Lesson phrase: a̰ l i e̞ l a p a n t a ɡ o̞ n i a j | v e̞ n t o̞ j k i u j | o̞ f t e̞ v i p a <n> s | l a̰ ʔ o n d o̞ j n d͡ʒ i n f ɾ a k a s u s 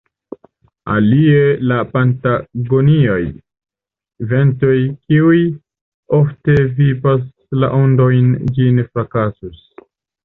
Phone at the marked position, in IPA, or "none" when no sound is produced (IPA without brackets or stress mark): none